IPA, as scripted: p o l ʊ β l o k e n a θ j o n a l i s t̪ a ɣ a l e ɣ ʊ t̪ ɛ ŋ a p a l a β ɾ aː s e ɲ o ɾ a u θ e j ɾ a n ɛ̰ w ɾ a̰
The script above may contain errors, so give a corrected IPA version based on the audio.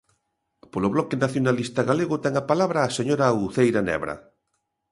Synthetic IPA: p o l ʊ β l ɔ k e n a θ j o n a l i s t̪ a ɣ a l e ɣ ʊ t̪ ɛ ŋ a p a l a β ɾ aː s e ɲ o ɾ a u θ e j ɾ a n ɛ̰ β ɾ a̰